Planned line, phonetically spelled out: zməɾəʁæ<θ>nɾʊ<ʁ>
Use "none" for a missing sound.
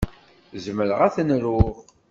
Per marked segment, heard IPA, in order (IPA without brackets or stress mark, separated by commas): θ, ʁ